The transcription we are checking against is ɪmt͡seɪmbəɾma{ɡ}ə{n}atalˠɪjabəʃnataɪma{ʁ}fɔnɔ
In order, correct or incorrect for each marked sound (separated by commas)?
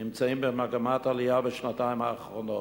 correct, incorrect, incorrect